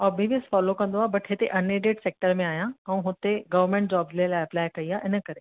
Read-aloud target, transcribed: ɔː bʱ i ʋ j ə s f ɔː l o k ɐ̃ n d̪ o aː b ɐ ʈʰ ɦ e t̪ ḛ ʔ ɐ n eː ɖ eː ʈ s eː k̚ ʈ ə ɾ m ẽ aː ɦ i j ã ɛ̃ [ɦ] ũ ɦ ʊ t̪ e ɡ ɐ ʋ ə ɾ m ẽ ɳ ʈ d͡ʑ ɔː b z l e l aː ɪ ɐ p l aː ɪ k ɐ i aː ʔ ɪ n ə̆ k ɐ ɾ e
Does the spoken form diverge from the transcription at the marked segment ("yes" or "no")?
yes